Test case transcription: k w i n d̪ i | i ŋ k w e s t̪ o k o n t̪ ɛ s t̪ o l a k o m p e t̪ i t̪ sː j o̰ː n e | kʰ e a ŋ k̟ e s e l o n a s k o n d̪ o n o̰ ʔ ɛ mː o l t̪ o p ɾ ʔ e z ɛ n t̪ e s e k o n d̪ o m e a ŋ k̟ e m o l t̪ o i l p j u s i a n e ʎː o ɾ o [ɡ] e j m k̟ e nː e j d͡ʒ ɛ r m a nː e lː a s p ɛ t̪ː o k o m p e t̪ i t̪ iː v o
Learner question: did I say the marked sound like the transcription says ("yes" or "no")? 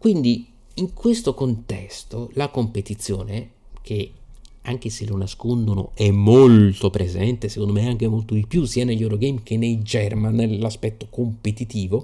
yes